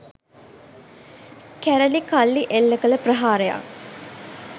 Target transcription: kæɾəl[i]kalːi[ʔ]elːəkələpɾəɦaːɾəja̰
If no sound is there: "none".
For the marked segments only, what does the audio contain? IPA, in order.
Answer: i, ʔ

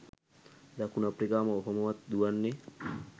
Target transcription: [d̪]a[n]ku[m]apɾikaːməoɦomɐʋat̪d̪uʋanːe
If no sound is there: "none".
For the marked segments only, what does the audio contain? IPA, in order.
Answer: d̪, none, n

